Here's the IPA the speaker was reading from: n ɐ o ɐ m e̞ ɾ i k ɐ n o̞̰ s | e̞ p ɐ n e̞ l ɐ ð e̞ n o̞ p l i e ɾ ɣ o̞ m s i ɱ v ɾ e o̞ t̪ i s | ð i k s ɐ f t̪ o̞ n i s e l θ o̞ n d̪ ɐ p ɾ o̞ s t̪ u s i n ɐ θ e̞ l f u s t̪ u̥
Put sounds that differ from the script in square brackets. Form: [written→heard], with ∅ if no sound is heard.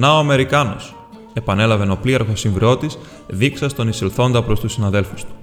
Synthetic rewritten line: n ɐ o ɐ m e̞ ɾ i k ɐ n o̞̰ s | e̞ p ɐ n e̞ l ɐ [ð→v] e̞ n o̞ p l i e ɾ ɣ o̞ [m→∅] s i ɱ v ɾ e o̞ t̪ i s | ð i k s ɐ [f→s] t̪ o̞ n i s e l θ o̞ n d̪ ɐ p ɾ o̞ s t̪ u s i n ɐ [θ→ð] e̞ l f u s t̪ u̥